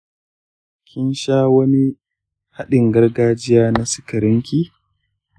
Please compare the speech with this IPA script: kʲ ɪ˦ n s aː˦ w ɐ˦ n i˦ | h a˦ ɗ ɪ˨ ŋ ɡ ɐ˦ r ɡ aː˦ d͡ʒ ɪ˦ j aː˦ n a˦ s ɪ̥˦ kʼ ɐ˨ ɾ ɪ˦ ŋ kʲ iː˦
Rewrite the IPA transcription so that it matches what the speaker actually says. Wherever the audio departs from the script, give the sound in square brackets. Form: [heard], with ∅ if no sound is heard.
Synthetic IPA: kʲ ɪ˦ n [ʃ] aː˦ w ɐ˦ n i˦ | h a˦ ɗ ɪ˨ ŋ ɡ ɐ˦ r ɡ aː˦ d͡ʒ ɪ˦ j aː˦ n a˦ s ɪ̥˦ [k] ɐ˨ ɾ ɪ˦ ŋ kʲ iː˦